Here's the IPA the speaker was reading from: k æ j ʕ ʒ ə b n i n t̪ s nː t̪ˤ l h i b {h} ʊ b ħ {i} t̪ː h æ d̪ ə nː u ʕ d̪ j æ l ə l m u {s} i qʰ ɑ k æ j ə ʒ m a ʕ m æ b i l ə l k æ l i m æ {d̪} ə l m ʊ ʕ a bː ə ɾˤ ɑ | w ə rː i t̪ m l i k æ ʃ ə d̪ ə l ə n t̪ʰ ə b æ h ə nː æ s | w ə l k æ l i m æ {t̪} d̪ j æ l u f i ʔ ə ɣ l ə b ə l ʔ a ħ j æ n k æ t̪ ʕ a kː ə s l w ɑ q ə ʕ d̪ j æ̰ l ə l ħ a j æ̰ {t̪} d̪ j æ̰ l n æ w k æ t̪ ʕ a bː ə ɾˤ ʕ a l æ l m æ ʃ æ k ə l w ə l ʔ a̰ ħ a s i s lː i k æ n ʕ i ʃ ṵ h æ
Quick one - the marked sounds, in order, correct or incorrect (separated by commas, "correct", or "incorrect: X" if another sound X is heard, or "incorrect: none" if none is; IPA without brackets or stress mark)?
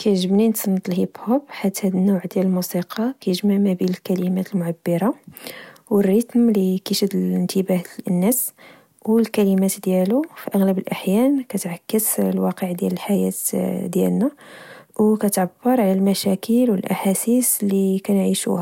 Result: correct, incorrect: a, correct, incorrect: t̪, correct, correct